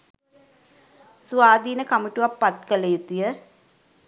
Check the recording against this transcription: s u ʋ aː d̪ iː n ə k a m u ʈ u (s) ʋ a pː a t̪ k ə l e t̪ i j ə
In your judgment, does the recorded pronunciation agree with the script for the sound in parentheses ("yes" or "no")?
no